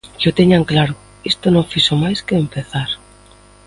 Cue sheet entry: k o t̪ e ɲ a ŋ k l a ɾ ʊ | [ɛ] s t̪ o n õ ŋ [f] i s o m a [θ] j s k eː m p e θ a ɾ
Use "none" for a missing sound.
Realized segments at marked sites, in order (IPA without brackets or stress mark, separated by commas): i, f, none